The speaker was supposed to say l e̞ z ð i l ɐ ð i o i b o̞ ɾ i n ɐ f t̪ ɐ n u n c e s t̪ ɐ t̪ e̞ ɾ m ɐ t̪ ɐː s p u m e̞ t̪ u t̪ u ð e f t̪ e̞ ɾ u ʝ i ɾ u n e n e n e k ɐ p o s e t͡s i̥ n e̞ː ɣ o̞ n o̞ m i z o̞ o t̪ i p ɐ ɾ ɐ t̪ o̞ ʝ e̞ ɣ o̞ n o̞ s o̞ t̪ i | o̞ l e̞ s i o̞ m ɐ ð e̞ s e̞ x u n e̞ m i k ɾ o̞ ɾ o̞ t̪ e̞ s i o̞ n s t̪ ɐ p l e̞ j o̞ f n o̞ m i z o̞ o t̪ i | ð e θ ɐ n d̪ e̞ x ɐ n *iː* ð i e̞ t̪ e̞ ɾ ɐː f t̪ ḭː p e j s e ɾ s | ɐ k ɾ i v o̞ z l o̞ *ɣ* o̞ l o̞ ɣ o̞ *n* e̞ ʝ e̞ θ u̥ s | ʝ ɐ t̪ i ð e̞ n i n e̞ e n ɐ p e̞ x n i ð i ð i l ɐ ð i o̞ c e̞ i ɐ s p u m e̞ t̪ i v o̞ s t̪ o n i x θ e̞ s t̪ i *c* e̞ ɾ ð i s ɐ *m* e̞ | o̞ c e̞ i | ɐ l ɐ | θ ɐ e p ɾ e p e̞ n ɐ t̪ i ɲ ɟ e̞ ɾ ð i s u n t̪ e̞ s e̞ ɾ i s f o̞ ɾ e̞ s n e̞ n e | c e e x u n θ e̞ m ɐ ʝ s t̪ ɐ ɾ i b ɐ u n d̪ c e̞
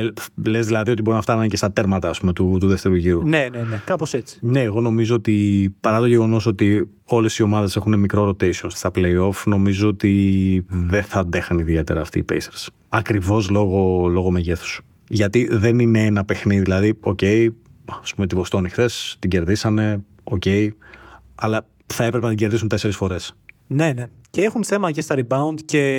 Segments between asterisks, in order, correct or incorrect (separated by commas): incorrect, correct, incorrect, incorrect, incorrect